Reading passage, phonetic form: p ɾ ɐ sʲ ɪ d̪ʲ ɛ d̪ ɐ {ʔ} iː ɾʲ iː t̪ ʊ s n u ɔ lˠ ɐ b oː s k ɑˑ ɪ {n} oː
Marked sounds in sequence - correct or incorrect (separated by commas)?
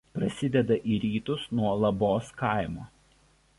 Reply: correct, incorrect